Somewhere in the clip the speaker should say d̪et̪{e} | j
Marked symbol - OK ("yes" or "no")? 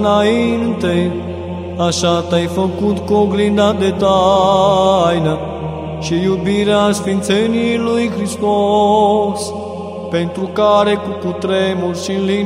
no